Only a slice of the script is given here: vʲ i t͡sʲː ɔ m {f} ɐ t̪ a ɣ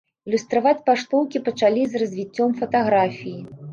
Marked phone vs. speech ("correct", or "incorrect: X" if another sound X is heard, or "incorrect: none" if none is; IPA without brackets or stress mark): correct